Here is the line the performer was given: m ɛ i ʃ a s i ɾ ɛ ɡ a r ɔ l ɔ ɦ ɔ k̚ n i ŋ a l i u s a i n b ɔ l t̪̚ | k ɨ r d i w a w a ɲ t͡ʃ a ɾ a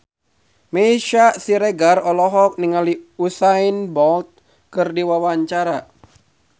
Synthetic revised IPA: m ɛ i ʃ a s i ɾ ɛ ɡ a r ɔ l ɔ ɦ ɔ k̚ n i ŋ a l i u s a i n b ɔ l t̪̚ | k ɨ r d i w a w a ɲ t͡ʃ a ɾ a